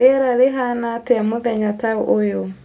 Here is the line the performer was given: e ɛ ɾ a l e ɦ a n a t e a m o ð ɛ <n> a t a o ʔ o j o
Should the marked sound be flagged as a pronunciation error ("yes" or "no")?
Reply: yes